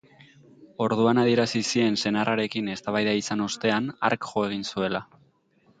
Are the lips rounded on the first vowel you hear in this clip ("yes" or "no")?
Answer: yes